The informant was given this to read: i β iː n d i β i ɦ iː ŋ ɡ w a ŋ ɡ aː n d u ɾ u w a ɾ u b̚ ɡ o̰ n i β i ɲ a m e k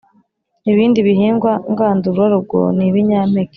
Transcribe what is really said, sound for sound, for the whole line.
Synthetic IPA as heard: i β iː n d i β i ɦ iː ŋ ɡ w a ŋ ɡ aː n d u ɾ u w a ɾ u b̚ ɡ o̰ n i β i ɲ a m e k